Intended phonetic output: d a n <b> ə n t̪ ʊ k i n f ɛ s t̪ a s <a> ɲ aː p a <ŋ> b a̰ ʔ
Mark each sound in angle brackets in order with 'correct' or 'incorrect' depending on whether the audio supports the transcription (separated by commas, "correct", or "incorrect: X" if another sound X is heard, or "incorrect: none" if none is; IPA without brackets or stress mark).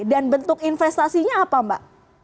correct, incorrect: i, incorrect: m